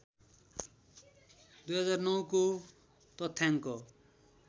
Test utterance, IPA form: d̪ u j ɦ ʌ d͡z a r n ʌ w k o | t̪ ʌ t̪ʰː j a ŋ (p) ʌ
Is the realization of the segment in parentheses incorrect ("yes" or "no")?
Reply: yes